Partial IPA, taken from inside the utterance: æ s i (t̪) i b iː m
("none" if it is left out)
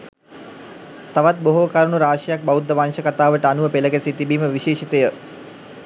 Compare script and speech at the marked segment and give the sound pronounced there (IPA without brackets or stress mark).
t̪